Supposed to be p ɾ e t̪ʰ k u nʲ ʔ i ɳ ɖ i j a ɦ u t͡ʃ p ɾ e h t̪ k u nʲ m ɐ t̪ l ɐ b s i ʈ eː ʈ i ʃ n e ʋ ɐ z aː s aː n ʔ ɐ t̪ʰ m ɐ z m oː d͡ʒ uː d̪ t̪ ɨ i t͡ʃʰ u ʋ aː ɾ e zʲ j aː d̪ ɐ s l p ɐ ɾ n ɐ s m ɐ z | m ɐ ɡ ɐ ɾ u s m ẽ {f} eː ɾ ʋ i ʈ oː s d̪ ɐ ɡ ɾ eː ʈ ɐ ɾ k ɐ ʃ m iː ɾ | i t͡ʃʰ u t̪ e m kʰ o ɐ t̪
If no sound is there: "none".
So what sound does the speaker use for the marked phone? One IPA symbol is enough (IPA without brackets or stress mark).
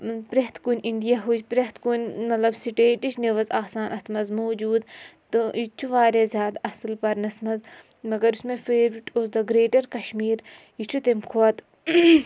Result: f